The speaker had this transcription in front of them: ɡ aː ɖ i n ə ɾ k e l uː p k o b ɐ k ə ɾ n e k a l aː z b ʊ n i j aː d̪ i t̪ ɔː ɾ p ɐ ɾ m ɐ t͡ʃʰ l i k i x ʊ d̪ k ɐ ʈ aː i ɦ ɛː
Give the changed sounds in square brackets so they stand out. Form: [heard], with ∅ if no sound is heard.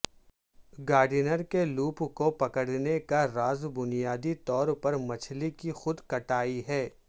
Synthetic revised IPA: ɡ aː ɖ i n ə ɾ k e l uː p k o [p] ɐ k ə [ɽ] n e k a [ɾ] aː z b ʊ n i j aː d̪ i t̪ ɔː ɾ p ɐ ɾ m ɐ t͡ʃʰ l i k i x ʊ d̪ k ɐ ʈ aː i ɦ ɛː